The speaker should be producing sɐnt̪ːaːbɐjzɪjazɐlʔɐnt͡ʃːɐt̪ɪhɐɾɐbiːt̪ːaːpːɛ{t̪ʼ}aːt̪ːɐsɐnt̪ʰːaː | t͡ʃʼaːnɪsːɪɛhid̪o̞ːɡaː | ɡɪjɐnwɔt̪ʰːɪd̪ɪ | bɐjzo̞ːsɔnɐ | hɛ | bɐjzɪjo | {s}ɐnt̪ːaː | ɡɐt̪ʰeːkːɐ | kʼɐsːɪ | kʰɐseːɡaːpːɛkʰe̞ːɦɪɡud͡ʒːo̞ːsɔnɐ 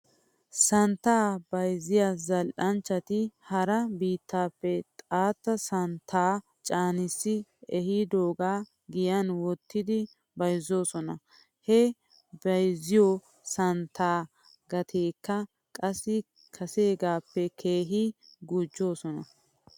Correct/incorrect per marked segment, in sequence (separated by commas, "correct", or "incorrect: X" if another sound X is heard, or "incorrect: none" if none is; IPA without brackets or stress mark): correct, correct